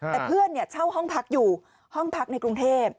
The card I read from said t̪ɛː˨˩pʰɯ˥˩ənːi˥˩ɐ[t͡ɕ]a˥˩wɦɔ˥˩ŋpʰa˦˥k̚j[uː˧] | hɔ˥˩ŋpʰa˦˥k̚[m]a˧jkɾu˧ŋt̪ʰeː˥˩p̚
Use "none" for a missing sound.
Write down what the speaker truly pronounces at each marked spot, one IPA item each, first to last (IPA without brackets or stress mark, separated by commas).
t͡ɕʰ, uː˨˩, n